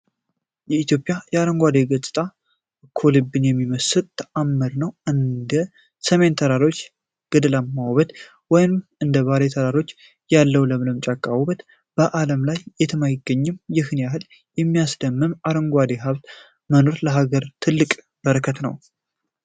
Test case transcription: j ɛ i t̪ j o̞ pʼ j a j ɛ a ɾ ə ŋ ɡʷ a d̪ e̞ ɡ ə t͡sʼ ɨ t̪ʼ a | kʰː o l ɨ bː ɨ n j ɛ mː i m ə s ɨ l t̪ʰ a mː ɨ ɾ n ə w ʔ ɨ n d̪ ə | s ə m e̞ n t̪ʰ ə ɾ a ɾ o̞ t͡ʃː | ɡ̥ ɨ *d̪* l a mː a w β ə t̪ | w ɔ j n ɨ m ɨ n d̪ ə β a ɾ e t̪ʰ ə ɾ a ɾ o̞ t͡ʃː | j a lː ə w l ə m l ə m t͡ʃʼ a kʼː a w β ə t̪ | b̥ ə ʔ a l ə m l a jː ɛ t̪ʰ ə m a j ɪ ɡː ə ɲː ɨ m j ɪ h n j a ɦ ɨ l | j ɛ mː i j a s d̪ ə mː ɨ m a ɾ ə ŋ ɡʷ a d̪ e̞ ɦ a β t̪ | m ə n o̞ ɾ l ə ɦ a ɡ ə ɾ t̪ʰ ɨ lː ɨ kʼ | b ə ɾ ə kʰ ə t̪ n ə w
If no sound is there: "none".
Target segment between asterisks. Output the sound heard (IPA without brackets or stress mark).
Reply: d̪